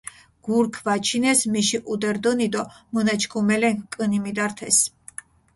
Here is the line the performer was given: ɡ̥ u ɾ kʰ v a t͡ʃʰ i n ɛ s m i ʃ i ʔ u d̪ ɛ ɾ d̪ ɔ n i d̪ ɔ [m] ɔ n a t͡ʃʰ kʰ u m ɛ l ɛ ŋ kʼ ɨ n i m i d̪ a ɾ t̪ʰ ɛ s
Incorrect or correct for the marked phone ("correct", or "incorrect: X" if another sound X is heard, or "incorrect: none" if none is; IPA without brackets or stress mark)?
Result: correct